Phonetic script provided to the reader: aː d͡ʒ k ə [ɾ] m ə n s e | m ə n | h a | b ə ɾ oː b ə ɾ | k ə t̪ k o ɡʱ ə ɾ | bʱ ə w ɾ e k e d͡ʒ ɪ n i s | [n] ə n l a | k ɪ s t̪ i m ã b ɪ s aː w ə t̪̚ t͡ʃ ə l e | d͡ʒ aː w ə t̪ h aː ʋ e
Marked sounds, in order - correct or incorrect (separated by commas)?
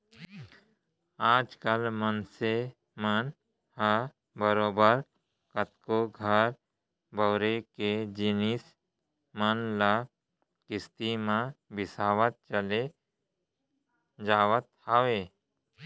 incorrect, incorrect